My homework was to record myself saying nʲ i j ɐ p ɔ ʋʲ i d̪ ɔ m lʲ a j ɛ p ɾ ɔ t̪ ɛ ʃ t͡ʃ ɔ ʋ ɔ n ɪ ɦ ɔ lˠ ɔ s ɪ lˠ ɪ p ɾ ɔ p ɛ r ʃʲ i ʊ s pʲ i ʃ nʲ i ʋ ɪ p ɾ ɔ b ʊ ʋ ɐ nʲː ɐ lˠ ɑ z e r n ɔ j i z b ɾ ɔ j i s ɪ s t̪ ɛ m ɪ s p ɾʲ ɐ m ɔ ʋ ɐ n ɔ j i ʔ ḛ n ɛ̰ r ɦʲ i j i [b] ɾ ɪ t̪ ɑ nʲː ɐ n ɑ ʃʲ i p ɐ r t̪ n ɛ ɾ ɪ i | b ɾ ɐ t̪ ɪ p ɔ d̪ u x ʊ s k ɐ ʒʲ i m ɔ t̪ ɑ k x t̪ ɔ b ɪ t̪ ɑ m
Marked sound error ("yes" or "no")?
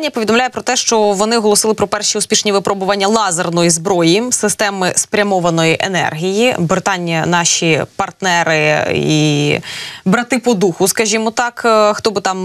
no